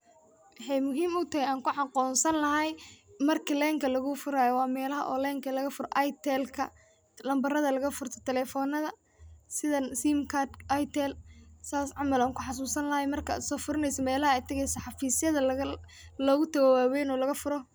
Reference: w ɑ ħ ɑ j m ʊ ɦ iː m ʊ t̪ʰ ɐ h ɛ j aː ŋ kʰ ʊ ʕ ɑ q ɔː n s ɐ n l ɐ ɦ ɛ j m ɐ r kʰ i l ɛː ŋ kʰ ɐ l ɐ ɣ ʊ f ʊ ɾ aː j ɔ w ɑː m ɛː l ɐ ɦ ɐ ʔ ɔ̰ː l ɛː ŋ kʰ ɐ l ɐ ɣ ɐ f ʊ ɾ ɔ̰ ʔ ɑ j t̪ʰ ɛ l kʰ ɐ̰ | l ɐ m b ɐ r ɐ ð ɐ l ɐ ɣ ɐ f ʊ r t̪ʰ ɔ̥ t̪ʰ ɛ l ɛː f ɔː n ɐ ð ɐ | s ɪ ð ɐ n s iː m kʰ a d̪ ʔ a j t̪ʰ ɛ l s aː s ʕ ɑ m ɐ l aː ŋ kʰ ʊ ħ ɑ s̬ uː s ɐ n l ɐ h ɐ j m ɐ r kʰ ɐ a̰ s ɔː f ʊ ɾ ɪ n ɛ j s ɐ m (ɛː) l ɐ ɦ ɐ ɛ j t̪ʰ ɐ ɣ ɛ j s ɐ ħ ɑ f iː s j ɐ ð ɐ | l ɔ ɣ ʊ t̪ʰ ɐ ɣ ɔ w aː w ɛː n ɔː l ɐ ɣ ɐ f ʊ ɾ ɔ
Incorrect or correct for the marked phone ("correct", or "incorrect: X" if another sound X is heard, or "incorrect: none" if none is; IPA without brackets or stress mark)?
correct